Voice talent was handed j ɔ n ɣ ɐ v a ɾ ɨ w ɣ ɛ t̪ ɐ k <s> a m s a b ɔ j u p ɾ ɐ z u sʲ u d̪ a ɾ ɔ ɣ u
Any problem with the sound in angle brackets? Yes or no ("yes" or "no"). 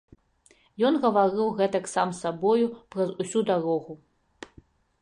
no